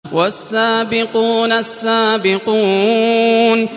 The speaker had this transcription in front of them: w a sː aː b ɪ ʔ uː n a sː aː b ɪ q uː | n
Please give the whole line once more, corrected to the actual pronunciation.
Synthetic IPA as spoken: w a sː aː b ɪ q uː n a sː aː b ɪ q uː | n